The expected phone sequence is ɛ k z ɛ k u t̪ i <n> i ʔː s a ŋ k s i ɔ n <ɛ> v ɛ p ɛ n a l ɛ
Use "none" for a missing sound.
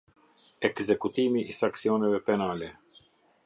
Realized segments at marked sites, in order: m, ɛ

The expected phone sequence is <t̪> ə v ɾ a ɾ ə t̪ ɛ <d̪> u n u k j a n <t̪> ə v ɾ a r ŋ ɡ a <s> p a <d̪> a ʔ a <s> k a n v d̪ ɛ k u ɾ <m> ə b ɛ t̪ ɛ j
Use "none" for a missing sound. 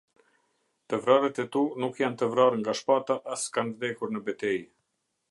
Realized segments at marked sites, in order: t̪, t̪, t̪, ʃ, t̪, s, n

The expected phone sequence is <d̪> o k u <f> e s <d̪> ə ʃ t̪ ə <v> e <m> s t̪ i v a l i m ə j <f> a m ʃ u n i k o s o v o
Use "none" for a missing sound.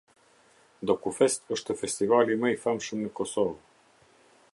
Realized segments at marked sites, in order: d̪, f, t̪, f, none, f

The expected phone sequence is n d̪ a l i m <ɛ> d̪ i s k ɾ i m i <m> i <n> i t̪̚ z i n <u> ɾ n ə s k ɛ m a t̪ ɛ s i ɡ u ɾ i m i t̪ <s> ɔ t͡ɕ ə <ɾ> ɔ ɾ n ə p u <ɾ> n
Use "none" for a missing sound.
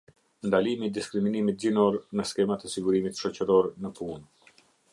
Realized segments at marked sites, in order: i, n, m, ɔ, ʃ, ɾ, none

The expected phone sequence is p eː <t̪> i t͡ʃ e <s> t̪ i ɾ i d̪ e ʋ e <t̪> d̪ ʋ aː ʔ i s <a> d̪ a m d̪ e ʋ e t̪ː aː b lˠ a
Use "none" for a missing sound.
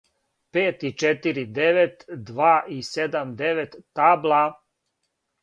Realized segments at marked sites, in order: t̪, none, t̪, e

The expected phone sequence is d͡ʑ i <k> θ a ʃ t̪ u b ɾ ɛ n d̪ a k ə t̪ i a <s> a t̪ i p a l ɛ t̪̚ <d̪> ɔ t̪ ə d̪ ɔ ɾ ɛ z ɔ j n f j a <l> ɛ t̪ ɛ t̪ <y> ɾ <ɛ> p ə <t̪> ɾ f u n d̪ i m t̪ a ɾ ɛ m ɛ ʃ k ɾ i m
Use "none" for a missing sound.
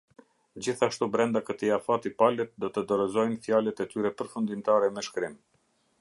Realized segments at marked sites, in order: none, f, d̪, l, y, ɛ, none

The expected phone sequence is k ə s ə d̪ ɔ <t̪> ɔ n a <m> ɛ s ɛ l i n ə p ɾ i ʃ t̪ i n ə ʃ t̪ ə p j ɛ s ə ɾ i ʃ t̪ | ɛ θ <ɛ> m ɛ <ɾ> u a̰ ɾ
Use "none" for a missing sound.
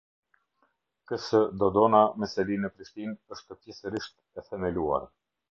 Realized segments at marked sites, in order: d̪, m, ɛ, l

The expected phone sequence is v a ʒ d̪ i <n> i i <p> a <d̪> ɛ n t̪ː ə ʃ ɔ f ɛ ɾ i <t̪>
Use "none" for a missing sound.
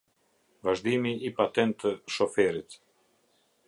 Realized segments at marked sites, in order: m, p, t̪, t̪

